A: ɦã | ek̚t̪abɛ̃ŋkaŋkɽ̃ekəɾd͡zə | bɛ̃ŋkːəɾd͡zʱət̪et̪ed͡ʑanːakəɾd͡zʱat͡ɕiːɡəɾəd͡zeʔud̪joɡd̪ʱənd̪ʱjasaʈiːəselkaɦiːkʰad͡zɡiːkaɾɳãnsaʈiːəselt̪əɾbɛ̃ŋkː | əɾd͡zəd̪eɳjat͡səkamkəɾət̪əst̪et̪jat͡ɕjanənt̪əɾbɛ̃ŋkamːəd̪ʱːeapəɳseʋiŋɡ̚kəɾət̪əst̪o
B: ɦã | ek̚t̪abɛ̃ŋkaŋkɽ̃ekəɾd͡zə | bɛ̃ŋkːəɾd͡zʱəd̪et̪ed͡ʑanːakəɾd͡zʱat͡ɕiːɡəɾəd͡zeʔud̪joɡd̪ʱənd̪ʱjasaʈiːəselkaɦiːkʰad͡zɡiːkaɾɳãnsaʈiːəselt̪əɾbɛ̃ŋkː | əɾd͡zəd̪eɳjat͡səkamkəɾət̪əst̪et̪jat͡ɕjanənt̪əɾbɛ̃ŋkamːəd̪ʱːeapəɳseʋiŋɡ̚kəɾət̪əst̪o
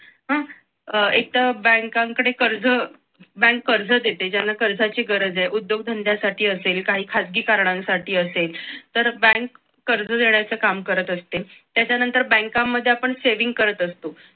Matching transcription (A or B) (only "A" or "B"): B